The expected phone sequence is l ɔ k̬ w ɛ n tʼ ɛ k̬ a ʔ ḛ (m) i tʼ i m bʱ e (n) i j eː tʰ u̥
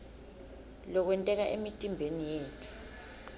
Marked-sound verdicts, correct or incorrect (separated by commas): correct, correct